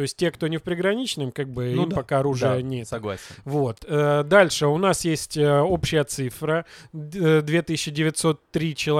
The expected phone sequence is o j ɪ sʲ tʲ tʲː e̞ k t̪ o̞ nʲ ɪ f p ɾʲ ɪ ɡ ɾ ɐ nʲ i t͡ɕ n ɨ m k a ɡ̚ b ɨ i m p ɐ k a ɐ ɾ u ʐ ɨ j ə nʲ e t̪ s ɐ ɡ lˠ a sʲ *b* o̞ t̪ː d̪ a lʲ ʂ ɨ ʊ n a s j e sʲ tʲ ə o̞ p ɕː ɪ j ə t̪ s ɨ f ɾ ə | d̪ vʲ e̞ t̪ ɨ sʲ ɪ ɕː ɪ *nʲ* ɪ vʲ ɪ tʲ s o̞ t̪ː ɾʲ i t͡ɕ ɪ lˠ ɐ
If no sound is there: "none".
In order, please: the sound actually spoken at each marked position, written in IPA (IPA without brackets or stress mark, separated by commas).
v, dʲ